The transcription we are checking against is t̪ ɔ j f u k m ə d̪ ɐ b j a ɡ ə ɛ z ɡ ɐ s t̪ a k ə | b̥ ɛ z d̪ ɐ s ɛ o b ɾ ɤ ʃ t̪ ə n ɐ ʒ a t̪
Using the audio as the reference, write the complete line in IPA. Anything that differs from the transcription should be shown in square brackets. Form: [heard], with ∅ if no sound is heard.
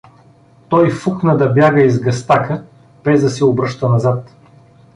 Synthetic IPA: t̪ ɔ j f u k [n] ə d̪ ɐ b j a ɡ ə [i] z ɡ ɐ s t̪ a k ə | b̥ ɛ z d̪ ɐ s ɛ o b ɾ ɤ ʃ t̪ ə n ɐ [z] a t̪